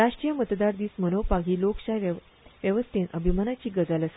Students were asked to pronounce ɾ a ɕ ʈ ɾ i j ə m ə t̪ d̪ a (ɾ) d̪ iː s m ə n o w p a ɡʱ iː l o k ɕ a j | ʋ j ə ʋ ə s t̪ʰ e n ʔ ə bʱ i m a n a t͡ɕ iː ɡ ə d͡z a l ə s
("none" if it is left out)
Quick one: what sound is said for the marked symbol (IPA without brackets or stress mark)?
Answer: ɾ